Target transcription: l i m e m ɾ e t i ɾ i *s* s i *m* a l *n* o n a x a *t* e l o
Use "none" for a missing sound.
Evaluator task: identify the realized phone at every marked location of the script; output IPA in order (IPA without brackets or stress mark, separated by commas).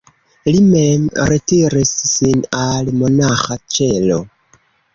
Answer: s, n, m, t͡ʃ